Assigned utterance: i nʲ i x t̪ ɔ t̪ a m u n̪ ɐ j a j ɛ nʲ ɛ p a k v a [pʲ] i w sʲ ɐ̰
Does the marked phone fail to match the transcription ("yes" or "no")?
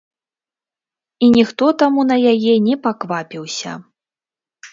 no